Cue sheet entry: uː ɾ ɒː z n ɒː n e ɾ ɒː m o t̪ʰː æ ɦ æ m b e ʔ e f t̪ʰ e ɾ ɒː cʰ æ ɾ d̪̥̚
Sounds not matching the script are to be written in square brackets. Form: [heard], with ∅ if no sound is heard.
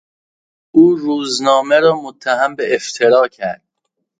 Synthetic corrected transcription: uː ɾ [uː] z n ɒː [m] e ɾ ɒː m o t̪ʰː æ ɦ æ m b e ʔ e f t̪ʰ e ɾ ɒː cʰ æ ɾ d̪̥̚